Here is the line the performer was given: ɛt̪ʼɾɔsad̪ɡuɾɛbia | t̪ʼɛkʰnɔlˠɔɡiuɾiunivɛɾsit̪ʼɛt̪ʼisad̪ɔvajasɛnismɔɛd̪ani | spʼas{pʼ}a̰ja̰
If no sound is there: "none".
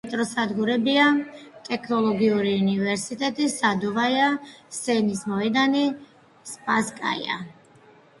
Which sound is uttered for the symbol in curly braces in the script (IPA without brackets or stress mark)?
kʼ